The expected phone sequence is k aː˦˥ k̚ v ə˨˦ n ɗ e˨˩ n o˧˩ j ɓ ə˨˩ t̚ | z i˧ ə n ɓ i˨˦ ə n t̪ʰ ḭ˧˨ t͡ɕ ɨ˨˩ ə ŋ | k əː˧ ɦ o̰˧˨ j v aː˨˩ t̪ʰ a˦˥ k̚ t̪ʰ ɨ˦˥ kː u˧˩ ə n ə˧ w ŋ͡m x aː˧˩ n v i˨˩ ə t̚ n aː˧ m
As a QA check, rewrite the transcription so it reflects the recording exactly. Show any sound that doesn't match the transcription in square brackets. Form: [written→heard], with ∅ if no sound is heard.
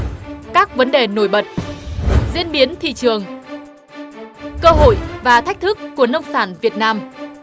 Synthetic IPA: k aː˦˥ k̚ v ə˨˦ n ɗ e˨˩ n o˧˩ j ɓ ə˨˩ t̚ | z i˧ ə n ɓ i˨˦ ə n t̪ʰ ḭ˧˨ t͡ɕ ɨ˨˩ ə ŋ | k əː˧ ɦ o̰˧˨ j v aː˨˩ t̪ʰ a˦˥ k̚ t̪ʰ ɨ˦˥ kː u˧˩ ə n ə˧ w ŋ͡m [x→s] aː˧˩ n v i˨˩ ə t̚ n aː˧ m